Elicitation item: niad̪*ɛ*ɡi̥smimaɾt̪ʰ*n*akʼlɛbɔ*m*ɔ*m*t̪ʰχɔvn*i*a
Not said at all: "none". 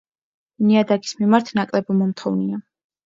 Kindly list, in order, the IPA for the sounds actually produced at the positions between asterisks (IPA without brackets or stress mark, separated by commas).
a, n, m, m, i